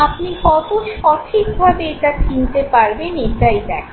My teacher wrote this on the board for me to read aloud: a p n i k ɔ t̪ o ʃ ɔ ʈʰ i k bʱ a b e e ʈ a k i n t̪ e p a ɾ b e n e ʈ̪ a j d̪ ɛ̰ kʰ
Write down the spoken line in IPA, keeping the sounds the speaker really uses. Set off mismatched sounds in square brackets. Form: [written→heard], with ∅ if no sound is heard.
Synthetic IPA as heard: a p n i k ɔ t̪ o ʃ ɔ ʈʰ i k bʱ a b e e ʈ a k i n t̪ e p a ɾ b e n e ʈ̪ a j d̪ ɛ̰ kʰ